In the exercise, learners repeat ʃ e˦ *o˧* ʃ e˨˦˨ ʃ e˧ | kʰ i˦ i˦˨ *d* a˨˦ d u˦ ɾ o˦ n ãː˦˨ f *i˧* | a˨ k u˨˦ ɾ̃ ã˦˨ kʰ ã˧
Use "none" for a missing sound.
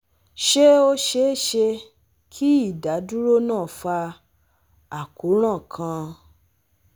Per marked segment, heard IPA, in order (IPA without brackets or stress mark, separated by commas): o˧, d, a˧